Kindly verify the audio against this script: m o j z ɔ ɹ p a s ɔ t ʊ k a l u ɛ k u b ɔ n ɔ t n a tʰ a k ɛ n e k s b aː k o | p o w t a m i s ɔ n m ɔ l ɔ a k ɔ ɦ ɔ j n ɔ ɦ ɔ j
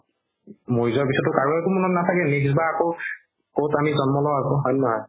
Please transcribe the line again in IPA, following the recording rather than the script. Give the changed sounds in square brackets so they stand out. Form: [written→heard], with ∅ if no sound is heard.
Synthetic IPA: m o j z ɔ ɹ p [a→i] s ɔ t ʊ k a [l→ɹ] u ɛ k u [b→m] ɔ n ɔ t n a tʰ a k ɛ n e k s b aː k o | [p→k] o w t a m i [s→z] ɔ n m ɔ l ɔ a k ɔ ɦ ɔ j n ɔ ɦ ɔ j